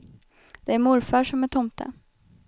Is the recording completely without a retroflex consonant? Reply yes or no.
no